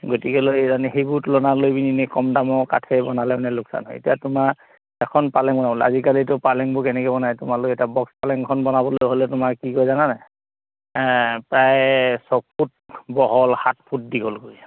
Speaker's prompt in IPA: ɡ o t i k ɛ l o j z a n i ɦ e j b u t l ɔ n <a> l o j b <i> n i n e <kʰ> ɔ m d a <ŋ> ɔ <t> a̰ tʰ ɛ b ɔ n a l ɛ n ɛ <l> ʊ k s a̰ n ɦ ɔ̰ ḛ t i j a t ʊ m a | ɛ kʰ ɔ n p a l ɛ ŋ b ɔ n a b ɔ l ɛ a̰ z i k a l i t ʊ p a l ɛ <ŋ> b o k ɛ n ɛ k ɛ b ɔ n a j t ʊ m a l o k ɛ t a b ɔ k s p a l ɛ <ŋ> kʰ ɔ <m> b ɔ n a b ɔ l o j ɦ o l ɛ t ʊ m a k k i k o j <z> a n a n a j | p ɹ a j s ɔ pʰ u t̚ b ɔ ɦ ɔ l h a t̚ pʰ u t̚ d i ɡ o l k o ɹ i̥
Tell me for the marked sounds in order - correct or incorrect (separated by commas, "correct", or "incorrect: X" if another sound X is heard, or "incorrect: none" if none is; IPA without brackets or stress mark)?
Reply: correct, correct, incorrect: k, incorrect: m, incorrect: k, correct, correct, correct, incorrect: n, correct